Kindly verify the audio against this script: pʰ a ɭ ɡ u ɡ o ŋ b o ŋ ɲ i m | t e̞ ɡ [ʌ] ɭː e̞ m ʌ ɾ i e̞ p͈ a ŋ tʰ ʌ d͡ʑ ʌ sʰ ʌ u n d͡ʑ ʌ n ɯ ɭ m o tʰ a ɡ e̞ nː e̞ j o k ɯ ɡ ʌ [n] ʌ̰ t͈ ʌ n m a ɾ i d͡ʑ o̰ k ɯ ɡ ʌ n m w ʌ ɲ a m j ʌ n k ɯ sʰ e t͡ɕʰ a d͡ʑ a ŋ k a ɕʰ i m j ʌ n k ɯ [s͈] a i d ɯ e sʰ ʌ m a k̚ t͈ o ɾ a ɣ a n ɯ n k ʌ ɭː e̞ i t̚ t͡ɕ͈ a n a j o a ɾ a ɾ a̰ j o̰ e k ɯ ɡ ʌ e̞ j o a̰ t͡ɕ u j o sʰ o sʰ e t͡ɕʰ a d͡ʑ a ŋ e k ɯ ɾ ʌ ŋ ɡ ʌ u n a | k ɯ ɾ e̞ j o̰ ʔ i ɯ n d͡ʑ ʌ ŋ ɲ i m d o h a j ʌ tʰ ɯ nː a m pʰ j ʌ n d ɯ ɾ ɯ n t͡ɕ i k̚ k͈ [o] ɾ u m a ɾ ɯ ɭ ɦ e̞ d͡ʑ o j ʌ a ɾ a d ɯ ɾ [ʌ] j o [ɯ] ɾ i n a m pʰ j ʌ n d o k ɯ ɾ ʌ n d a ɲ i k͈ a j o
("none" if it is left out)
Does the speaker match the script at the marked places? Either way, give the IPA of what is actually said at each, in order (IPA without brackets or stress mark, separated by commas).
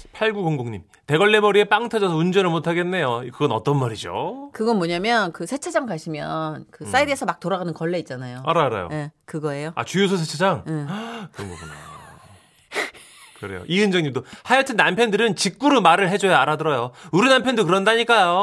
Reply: ʌ, n, s͈, u, ʌ, u